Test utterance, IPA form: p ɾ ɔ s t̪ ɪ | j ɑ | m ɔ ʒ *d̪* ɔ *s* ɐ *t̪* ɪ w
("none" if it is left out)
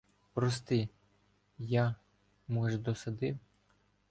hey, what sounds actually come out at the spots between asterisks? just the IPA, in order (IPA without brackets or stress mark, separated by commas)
d̪, s, d̪